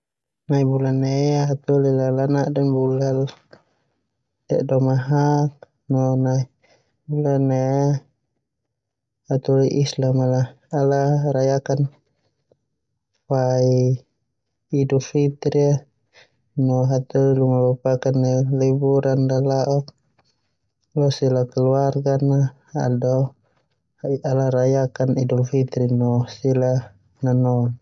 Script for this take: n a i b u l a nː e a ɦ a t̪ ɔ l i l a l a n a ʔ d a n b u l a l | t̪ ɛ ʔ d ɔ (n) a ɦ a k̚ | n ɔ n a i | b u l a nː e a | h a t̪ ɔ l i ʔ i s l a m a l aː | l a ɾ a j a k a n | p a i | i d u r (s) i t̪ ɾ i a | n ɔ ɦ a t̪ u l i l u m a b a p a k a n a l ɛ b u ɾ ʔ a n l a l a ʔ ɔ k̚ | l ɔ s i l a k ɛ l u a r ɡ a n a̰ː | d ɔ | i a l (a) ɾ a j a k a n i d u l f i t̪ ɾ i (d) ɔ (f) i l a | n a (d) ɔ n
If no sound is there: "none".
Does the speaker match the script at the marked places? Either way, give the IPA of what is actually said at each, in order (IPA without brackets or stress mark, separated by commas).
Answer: m, f, a, n, s, n